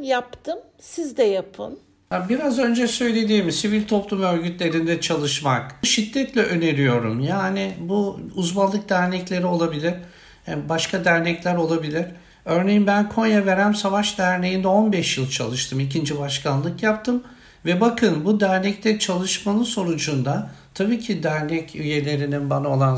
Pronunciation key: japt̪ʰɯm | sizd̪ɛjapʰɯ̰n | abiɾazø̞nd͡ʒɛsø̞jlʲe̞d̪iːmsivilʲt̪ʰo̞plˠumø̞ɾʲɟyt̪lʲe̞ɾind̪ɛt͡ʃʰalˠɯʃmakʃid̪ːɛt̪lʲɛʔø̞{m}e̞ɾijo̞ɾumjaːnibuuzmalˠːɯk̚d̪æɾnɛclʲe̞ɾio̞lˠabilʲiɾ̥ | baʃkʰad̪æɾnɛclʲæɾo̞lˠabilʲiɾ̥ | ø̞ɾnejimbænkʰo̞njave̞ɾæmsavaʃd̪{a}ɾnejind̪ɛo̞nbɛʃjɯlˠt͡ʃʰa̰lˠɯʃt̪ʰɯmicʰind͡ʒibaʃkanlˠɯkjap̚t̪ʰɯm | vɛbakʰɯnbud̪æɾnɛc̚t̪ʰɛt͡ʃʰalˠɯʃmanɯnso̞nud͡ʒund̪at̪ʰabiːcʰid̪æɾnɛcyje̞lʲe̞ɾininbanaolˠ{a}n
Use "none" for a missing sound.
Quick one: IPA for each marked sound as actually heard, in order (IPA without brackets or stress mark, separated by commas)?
n, æ, a